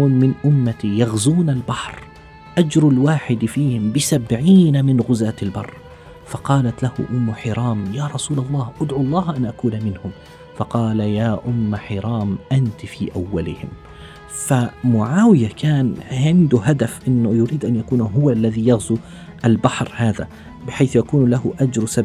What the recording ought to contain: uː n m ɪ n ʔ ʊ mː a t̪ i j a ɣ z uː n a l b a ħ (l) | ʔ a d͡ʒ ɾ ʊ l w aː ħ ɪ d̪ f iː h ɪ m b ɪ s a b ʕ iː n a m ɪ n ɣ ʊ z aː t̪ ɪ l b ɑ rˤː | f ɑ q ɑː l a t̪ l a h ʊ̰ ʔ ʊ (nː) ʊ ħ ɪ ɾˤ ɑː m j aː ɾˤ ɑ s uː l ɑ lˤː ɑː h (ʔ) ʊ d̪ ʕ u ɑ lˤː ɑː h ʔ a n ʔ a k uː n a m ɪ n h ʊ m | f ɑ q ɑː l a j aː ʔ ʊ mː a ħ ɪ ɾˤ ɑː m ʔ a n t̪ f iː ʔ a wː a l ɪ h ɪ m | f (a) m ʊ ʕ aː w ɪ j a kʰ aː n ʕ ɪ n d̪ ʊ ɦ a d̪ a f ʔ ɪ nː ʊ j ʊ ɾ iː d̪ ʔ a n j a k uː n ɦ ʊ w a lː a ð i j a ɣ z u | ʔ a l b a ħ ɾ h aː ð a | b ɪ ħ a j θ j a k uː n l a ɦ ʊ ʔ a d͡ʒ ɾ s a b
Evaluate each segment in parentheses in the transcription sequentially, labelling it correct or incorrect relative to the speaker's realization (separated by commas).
incorrect, incorrect, correct, correct